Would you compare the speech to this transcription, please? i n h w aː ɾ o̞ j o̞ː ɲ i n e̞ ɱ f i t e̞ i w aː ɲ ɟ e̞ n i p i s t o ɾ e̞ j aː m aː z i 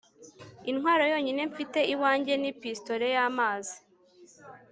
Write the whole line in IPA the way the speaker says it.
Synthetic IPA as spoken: i n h w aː ɾ o̞ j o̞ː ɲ i n e̞ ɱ f i t e̞ i w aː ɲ ɟ e̞ n i p i s t o ɾ e̞ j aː m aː z i